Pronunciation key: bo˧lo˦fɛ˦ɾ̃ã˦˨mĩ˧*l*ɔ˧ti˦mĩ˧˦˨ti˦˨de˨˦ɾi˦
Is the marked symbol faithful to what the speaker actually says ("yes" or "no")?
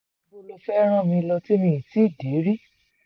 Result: yes